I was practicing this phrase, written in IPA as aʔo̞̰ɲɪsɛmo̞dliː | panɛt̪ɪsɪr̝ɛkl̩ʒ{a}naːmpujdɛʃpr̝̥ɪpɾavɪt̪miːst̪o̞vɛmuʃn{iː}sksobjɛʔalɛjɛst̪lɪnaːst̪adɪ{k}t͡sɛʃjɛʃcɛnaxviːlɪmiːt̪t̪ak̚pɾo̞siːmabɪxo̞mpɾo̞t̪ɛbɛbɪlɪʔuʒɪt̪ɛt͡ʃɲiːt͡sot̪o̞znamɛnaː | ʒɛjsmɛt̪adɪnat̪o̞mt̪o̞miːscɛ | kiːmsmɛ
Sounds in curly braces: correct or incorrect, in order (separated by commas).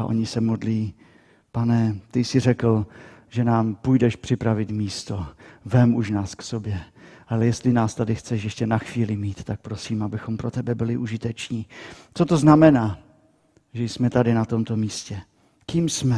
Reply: incorrect, incorrect, incorrect